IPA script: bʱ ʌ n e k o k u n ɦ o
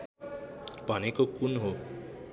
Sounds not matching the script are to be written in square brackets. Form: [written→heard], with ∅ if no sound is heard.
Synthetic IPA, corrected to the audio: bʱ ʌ n e k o k u n ɦ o